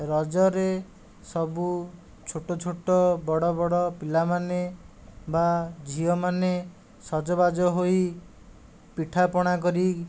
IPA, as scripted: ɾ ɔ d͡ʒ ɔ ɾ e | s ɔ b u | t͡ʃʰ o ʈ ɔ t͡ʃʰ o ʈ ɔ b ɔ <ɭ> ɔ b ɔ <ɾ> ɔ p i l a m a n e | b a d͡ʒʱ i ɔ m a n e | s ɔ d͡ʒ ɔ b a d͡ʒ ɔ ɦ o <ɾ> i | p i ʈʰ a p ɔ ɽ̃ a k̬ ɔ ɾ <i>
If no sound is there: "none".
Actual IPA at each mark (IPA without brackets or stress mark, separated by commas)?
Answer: ɽ, ɽ, none, i